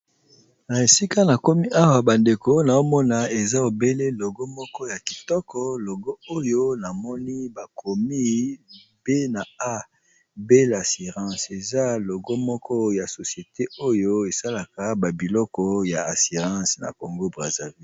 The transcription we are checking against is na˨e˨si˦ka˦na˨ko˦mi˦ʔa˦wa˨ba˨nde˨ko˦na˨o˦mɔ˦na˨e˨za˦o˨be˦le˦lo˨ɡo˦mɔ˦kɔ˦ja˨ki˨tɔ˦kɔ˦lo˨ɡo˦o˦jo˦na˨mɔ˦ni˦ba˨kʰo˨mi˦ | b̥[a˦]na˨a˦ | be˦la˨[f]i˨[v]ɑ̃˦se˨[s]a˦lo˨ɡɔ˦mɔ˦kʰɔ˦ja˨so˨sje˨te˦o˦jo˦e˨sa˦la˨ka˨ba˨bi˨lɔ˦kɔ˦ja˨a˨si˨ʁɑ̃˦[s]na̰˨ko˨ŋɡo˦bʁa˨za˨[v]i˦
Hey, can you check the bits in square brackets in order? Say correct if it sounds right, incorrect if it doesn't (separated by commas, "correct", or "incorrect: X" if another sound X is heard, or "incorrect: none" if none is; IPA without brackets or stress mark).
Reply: incorrect: e˦, incorrect: s, incorrect: ʁ, incorrect: z, correct, correct